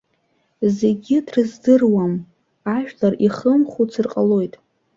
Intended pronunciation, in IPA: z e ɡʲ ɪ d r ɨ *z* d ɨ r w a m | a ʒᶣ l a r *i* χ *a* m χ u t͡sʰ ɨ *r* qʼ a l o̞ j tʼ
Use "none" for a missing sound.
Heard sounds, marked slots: z, i, ə, r

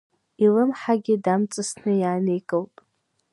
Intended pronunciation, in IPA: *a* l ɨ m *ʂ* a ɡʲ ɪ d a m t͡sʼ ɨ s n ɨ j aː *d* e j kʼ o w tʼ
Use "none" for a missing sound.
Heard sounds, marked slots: i, ħ, n

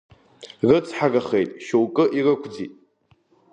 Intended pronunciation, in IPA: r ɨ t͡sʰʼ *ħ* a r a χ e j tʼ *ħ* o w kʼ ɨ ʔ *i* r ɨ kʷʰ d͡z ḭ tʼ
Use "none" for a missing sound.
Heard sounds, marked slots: ħ, ʃ, i

